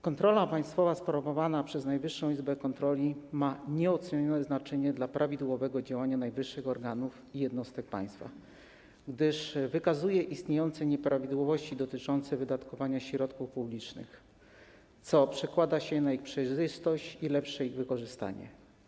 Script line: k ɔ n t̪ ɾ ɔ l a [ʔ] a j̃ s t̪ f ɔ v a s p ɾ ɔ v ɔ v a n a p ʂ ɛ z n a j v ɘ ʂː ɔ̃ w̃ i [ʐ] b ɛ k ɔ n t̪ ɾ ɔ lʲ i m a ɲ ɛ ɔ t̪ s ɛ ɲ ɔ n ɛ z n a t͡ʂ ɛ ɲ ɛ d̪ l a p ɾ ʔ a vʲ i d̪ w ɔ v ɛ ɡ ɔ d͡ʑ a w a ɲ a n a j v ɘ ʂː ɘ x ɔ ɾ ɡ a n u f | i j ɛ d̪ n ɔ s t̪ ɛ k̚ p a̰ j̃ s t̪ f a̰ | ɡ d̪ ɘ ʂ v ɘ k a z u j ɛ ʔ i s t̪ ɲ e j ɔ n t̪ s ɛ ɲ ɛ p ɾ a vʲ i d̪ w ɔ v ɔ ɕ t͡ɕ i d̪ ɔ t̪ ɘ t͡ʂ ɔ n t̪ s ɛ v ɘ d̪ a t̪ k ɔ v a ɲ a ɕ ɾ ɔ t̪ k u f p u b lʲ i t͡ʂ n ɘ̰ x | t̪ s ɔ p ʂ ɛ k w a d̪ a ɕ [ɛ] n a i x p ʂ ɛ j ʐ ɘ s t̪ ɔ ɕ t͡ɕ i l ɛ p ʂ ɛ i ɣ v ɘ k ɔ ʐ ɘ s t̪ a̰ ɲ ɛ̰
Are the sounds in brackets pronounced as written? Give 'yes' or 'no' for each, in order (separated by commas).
no, no, yes